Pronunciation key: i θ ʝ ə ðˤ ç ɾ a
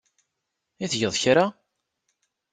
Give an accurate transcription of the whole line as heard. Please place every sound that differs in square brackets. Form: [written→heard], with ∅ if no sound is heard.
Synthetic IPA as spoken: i θ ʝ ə ðˤ ç ɾ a